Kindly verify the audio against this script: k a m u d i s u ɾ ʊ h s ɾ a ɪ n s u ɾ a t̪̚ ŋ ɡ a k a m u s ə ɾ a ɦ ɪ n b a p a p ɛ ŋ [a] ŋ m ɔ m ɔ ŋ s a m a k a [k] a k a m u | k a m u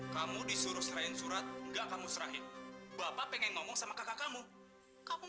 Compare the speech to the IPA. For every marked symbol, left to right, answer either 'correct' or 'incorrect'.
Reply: incorrect: ɛ, correct

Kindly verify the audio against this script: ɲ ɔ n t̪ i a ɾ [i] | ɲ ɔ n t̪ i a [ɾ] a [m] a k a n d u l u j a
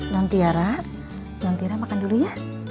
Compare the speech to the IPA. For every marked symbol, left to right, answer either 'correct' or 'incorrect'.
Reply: incorrect: a, correct, correct

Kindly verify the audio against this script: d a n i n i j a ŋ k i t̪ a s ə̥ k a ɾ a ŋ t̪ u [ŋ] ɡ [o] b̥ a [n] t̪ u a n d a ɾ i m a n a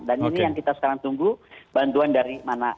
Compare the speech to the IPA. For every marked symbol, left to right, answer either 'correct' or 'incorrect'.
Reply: correct, incorrect: u, correct

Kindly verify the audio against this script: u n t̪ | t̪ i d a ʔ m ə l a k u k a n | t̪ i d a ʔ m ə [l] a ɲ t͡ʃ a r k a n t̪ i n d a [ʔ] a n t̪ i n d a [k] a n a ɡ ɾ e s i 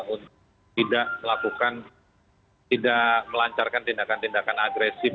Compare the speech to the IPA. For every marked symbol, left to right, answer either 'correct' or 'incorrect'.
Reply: correct, incorrect: k, correct

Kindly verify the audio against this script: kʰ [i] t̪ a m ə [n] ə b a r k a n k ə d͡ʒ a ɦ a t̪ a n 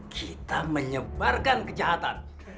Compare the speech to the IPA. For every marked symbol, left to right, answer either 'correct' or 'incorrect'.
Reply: correct, incorrect: ɲ

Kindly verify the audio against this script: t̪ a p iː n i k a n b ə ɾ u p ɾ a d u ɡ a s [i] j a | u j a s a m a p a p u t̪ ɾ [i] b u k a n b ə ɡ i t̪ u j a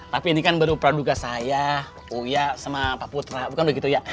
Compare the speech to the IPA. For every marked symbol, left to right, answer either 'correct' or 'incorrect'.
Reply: incorrect: a, incorrect: a

